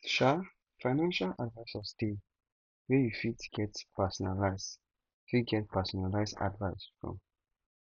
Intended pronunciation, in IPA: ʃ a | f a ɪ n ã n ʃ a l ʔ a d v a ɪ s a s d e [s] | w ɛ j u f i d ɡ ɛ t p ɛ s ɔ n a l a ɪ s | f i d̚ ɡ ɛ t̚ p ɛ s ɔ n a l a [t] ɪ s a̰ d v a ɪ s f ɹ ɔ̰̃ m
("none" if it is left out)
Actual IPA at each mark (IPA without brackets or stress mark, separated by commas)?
none, none